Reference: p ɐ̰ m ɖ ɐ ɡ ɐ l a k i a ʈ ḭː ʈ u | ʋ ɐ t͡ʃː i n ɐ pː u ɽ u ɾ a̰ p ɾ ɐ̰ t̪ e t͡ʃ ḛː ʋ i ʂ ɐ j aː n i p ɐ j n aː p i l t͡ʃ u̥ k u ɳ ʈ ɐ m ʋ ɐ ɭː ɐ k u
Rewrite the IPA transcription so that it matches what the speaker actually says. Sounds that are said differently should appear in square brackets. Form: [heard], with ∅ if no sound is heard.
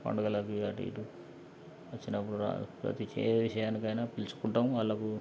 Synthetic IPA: p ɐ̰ [ɳ] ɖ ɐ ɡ ɐ l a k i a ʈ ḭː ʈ u | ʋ ɐ t͡ʃː i n ɐ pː u ɽ u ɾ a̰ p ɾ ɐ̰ t̪ [i] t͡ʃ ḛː ʋ i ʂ ɐ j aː n i [k] ɐ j n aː p i l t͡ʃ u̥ k u ɳ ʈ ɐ m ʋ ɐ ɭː ɐ k u